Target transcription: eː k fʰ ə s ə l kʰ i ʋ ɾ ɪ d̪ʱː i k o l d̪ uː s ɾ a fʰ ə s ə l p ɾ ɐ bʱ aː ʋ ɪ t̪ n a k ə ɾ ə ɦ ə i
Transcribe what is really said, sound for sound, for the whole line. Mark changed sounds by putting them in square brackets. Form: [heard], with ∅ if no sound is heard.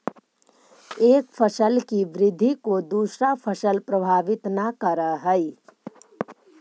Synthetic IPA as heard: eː k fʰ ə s ə l [k] i ʋ ɾ ɪ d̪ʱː i k o [∅] d̪ uː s ɾ a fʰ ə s ə l p ɾ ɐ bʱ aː ʋ ɪ t̪ n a k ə ɾ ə ɦ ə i